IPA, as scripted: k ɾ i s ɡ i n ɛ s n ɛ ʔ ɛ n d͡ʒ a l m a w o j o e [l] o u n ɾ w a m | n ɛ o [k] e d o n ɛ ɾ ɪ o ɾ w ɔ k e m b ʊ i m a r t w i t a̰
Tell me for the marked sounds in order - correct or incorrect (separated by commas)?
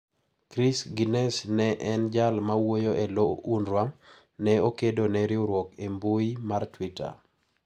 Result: correct, correct